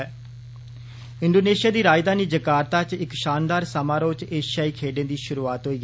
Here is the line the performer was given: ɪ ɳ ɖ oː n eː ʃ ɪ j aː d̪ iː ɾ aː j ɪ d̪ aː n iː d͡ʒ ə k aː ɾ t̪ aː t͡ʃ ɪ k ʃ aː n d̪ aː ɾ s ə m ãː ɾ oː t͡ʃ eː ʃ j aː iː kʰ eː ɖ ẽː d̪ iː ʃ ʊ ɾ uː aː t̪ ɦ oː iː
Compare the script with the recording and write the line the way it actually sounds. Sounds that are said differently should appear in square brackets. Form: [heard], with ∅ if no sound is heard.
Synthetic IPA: ɪ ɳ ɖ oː n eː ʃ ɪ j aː d̪ iː ɾ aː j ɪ d̪ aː n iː d͡ʒ ə k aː ɾ t̪ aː t͡ʃ ɪ k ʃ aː n d̪ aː ɾ s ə m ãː ɾ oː t͡ʃ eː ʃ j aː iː kʰ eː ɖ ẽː d̪ iː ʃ ʊ ɾ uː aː t̪ ɦ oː iː